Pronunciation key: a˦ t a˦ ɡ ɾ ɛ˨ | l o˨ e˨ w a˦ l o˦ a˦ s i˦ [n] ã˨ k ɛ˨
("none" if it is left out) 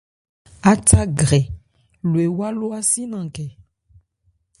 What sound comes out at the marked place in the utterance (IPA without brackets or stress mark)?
n